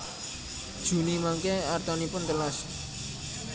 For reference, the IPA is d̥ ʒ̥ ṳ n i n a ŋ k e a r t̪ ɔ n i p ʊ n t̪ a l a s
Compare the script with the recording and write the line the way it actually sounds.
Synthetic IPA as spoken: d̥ ʒ̥ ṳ n i m a ŋ k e a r t̪ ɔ n i p ʊ n t̪ ə l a s